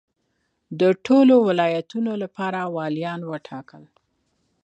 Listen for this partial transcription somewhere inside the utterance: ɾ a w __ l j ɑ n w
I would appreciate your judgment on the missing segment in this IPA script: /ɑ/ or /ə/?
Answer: ɑ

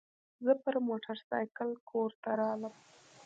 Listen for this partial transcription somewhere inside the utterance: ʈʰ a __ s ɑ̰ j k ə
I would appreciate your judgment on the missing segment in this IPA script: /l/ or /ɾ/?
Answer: ɾ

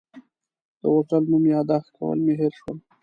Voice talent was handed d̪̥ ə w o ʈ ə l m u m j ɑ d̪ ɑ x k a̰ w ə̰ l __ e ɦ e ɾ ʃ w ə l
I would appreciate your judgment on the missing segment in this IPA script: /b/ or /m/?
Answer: m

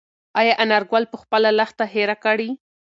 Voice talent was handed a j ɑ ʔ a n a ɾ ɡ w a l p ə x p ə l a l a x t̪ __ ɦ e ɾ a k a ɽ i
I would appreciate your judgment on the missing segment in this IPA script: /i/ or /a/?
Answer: a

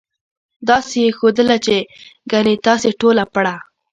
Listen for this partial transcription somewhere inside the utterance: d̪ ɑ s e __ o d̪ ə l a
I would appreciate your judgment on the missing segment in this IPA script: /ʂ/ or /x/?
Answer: x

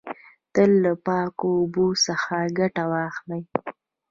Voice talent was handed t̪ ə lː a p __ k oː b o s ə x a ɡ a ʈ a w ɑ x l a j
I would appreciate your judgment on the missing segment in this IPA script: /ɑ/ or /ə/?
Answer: ɑ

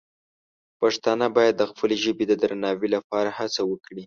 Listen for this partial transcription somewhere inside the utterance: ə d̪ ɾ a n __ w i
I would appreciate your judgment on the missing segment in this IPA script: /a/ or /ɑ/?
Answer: ɑ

